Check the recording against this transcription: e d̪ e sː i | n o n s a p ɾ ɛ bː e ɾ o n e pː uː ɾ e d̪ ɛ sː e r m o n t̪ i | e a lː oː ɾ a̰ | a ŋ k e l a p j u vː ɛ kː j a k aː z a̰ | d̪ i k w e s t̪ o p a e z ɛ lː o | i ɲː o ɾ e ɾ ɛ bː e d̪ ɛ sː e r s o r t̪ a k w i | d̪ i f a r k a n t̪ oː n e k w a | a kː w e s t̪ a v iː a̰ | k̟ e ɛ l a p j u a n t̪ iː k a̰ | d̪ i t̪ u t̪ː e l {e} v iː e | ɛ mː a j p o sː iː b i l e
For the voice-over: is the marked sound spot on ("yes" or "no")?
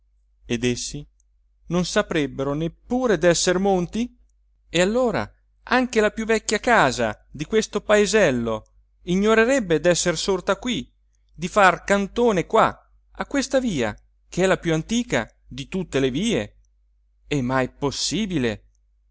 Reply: yes